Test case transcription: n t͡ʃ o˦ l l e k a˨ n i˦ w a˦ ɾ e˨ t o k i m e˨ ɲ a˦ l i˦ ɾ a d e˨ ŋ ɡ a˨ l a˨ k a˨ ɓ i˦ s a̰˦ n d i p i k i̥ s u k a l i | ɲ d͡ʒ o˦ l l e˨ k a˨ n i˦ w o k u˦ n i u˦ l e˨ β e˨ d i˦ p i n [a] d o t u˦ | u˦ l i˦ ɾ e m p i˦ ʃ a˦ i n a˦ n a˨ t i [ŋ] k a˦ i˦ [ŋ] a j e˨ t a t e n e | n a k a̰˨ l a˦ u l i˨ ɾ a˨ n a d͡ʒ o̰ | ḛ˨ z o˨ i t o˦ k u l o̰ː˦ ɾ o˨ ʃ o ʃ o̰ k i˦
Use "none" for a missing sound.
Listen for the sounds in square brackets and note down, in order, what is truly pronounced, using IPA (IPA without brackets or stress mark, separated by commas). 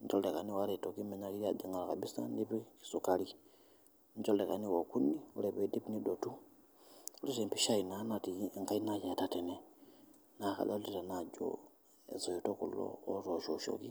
i, ŋ, n